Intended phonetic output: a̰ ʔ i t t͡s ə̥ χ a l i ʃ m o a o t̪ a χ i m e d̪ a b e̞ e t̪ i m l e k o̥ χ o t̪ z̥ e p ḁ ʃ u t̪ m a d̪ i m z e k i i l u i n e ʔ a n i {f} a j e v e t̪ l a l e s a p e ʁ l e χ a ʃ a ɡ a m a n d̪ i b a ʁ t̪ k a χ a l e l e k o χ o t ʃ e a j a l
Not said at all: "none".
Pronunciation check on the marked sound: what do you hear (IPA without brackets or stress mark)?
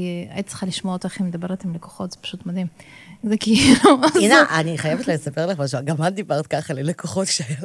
χ